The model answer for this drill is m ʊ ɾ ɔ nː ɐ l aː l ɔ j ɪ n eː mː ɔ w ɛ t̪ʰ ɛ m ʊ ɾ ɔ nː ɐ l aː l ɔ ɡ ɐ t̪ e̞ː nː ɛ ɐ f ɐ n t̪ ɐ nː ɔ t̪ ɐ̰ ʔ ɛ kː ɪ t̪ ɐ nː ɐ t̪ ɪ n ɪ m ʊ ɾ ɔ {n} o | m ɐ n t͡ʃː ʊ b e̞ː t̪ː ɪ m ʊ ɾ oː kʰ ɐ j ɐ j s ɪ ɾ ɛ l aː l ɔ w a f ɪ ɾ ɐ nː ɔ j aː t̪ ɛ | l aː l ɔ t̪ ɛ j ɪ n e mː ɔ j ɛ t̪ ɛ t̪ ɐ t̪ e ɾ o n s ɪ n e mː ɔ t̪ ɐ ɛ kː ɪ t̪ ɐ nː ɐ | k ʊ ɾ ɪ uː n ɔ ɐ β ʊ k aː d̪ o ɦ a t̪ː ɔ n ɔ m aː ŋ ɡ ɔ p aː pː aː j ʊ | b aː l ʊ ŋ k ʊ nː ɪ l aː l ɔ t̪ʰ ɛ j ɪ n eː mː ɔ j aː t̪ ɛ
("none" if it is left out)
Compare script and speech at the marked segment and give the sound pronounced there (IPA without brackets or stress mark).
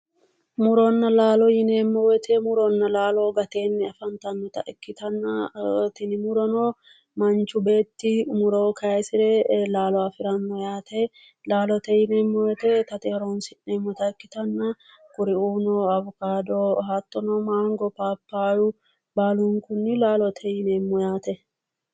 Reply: n